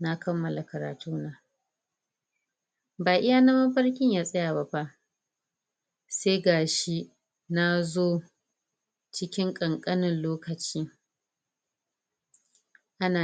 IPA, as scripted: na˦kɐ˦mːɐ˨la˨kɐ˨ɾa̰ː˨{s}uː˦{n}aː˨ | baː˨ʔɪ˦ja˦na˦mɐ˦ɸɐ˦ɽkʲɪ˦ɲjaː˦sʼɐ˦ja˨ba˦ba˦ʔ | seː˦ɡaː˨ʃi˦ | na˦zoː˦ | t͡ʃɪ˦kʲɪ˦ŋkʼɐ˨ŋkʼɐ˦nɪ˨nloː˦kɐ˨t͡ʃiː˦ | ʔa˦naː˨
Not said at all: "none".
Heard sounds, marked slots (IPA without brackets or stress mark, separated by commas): t, n